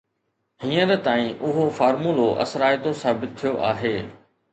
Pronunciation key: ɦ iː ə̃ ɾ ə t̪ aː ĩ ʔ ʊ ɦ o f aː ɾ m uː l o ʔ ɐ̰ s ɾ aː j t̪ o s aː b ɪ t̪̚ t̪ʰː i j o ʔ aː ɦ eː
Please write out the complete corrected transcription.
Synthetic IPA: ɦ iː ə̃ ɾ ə t̪ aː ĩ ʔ ʊ ɦ o f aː ɾ m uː l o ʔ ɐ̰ s ɾ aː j t̪ o s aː b ɪ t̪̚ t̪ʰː i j o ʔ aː ɦ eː